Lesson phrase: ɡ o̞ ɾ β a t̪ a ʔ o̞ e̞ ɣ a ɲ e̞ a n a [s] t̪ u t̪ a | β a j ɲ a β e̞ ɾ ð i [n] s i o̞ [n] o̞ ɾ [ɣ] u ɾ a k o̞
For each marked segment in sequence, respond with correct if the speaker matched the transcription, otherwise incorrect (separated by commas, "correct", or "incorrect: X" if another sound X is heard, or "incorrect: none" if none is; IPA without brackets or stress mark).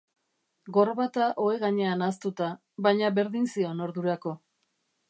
correct, correct, correct, incorrect: ð